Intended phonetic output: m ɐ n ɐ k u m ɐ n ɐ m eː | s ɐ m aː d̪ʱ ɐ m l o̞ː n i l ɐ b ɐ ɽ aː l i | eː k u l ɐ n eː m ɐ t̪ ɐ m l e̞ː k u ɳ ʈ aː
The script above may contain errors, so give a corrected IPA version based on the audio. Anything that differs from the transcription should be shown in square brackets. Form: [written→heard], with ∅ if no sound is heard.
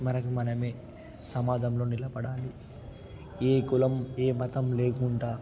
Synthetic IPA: m ɐ n ɐ k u m ɐ n ɐ m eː | s ɐ m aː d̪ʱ ɐ m l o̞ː n i l ɐ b ɐ ɽ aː l i | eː k u l ɐ [n→m] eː m ɐ t̪ ɐ m l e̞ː k u ɳ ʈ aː